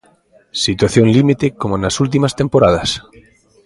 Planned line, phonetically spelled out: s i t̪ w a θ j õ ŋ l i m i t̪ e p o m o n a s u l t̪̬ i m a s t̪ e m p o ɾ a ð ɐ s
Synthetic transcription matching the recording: s i t̪ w a θ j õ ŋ l i m i t̪ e k o m o n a s u l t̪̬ i m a s t̪ e m p o ɾ a ð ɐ s